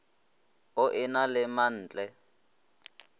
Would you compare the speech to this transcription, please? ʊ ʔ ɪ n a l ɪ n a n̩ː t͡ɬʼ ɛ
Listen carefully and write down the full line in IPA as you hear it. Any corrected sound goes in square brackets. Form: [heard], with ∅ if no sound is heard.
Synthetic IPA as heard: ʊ ʔ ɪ n a l ɪ [m] a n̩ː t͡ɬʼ ɛ